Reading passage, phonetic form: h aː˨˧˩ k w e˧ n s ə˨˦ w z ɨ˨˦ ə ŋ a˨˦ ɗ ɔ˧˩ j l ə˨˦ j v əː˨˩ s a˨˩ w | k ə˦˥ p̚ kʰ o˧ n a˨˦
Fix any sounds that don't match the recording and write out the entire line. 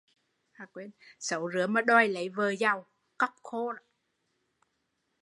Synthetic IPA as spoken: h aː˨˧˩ k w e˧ n s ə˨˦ w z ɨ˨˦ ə m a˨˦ ɗ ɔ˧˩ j l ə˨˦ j v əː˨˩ z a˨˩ w | k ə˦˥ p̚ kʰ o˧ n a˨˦